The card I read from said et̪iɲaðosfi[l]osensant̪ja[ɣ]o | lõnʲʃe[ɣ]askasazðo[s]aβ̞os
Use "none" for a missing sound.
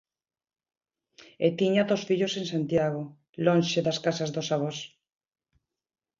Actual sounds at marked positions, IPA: ʎ, ɣ, ð, s

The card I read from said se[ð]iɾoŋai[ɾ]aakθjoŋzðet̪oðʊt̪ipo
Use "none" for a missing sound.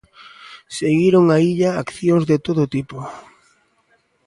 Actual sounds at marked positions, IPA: ɣ, ʎ

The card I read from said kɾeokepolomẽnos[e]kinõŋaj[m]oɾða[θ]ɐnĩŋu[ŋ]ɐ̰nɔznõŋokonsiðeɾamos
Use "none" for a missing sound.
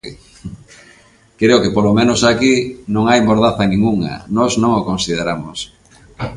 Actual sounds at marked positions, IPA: a, m, θ, ŋ

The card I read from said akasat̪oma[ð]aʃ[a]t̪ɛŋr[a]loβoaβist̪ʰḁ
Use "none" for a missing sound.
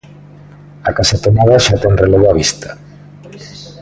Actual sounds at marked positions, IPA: ð, a, e

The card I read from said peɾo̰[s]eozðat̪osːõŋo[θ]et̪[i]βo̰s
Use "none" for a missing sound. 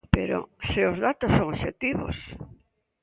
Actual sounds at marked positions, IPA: s, ʃ, i

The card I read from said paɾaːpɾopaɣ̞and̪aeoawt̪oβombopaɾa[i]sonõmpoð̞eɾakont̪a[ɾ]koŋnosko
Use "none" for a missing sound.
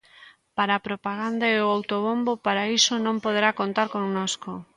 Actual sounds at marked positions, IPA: i, ɾ

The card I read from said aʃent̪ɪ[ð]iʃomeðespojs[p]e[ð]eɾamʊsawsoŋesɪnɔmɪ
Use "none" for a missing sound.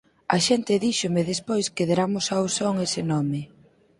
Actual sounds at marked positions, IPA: ð, k, ð

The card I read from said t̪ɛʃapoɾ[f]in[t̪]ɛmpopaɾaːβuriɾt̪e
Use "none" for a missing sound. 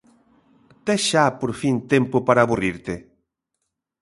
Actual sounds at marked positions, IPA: f, t̪

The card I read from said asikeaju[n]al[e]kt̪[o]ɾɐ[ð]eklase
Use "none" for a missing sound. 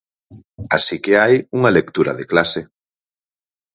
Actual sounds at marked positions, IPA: ŋ, e, u, ð

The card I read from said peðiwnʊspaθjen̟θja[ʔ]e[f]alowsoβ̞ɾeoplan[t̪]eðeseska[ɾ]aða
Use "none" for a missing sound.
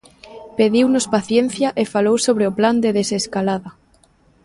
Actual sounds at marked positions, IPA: ʔ, f, d̪, l

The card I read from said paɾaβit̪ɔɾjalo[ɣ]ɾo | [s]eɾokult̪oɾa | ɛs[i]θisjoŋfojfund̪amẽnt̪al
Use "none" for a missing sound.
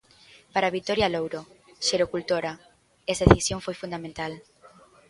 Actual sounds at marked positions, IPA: w, ʃ, e

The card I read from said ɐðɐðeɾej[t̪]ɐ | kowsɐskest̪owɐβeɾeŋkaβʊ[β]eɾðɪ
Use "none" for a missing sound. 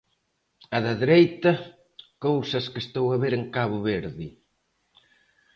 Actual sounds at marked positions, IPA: t̪, β

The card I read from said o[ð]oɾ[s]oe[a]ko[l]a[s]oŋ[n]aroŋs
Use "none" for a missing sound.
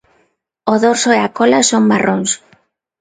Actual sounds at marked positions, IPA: ð, s, a, l, s, m

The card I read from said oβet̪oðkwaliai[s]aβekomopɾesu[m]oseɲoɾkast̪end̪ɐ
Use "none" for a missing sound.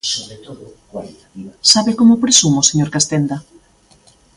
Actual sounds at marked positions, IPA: s, m

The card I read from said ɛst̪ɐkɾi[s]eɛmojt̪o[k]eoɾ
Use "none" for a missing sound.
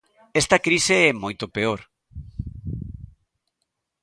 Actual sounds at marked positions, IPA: s, p

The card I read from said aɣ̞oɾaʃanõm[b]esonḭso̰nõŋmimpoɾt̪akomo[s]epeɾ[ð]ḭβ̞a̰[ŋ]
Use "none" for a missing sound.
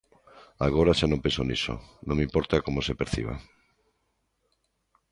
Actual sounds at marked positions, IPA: p, s, θ, none

